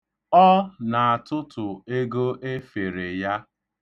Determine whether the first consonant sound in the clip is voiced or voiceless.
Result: voiced